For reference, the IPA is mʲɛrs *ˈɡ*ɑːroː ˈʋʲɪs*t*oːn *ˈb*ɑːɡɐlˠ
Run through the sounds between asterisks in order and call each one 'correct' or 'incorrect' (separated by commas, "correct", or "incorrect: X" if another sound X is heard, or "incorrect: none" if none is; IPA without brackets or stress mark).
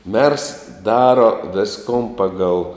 incorrect: d, incorrect: k, incorrect: p